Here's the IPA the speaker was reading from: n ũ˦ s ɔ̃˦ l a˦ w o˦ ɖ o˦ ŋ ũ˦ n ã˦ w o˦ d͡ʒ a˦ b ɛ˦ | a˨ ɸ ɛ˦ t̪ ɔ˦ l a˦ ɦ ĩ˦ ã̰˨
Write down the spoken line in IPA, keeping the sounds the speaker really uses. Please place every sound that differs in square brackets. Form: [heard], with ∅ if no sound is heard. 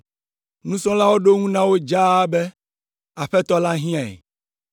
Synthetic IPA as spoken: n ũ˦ s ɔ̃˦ l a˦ w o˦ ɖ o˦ ŋ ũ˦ n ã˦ w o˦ d͡ʒ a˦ b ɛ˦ | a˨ ɸ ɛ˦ t̪ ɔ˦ l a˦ ɦ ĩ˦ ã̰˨